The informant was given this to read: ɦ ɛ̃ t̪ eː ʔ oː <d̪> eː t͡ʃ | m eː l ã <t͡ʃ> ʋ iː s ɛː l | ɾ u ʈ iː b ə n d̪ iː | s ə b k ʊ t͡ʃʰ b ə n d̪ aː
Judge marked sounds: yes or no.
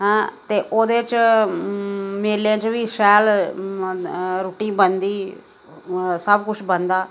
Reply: yes, yes

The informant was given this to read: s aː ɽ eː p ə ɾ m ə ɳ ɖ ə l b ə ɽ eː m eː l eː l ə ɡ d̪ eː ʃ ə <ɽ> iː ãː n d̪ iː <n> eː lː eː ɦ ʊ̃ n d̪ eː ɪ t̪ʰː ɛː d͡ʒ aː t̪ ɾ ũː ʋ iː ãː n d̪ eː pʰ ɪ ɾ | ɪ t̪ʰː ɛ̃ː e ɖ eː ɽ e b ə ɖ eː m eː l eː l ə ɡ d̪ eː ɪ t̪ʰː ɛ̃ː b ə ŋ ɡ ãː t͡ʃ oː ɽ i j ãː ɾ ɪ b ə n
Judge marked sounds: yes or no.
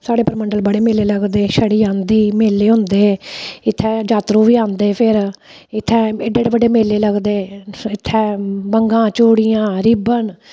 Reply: yes, no

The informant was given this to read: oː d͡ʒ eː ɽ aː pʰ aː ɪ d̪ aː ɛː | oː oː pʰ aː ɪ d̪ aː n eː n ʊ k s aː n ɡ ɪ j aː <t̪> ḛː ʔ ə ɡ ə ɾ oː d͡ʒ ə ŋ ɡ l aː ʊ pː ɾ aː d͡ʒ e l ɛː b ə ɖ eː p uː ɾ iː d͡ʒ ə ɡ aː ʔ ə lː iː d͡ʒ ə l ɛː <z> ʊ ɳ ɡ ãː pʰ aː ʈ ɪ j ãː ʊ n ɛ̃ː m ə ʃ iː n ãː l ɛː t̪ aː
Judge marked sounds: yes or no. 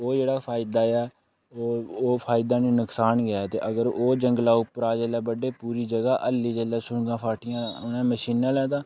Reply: yes, no

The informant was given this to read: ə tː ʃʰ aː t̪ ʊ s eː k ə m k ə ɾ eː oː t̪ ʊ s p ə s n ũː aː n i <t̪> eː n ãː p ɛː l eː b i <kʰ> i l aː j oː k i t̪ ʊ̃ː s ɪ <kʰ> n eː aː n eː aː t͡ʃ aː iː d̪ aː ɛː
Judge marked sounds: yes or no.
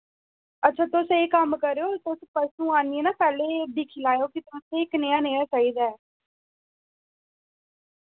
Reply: no, yes, no

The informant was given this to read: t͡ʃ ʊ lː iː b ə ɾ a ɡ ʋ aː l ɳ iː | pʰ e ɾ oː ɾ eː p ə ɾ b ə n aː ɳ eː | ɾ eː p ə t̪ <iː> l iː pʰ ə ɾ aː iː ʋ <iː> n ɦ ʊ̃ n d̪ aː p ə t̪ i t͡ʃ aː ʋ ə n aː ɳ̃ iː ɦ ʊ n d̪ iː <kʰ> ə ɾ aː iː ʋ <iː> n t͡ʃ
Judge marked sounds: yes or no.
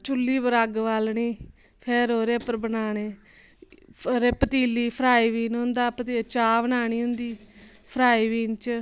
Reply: yes, yes, no, yes

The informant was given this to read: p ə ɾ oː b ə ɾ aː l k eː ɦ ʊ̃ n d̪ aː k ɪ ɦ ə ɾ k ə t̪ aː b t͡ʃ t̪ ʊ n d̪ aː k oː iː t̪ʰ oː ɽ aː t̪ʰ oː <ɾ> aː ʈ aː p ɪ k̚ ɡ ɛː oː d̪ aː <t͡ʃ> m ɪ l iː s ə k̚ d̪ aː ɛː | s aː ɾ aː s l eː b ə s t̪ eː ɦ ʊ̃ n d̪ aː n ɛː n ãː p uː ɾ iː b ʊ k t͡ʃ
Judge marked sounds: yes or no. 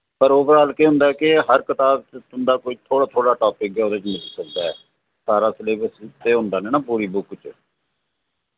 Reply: no, yes

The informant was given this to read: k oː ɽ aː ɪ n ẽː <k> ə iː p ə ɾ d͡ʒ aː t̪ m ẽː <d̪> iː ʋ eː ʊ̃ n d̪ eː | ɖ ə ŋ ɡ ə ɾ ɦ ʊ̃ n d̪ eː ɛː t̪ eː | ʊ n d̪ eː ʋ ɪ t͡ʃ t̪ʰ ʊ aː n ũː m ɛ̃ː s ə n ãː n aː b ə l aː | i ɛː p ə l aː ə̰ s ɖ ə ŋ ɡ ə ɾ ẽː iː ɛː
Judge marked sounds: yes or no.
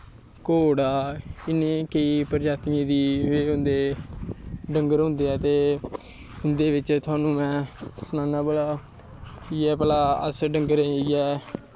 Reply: yes, yes

